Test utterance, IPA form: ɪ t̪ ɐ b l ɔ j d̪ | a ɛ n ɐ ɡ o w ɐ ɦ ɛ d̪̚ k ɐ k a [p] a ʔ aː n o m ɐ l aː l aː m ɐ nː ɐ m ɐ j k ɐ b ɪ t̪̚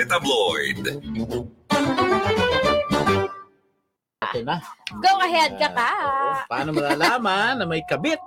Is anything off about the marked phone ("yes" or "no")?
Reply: no